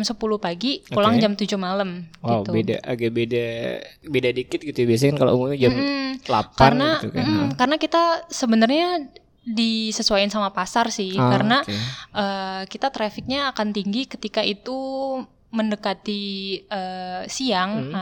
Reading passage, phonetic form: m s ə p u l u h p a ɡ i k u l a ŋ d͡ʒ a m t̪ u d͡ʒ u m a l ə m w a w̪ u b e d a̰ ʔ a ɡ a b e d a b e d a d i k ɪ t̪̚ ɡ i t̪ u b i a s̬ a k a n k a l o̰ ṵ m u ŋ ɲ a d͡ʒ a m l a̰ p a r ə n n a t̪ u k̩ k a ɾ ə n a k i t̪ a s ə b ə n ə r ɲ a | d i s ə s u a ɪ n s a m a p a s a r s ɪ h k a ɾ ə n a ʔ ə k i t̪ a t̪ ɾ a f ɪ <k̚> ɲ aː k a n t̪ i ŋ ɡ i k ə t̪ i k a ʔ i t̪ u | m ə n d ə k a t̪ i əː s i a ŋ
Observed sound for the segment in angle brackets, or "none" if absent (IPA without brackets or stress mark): k̚